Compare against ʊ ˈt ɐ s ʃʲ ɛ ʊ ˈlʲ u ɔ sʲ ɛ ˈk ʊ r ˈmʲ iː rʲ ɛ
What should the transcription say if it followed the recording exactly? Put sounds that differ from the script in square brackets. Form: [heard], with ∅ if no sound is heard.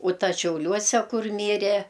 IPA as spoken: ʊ ˈt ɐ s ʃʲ ɛ ʊ ˈlʲ u ɔ sʲ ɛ ˈk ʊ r ˈmʲ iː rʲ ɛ